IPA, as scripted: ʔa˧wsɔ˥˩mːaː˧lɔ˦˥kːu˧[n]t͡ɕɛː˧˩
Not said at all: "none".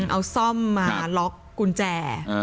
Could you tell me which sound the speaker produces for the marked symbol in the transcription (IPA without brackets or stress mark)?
n